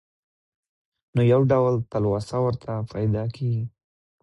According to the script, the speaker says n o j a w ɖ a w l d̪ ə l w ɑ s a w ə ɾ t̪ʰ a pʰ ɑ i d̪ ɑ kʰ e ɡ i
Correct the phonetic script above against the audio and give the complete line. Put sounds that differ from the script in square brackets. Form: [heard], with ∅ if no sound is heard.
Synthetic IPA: n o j a w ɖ a w l [t̪] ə l w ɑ s a w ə ɾ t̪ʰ a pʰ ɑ [j] d̪ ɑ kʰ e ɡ i